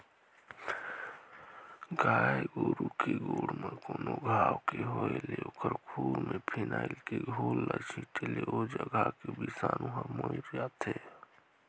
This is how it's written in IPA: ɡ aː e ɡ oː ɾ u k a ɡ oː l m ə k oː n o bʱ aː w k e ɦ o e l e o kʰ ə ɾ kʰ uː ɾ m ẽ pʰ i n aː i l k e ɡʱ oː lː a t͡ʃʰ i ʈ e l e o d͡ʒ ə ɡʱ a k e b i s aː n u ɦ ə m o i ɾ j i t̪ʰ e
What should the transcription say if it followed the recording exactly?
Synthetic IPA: ɡ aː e ɡ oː ɾ u k e ɡ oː ɽ m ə k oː n o ɡʱ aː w k e ɦ o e l e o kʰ ə ɾ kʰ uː ɾ m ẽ pʰ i n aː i l k e ɡʱ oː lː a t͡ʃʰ i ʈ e l e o d͡ʒ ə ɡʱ a k e b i s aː n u ɦ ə m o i ɾ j a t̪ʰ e